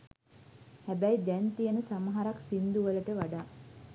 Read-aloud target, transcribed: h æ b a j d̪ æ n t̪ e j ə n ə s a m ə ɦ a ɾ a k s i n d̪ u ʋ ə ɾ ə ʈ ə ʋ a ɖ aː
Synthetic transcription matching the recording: h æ b æ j d̪ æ n t̪ i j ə n ə s a m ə ɦ a ɾ a k s i n d̪ u ʋ ə l ə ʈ ə ʋ a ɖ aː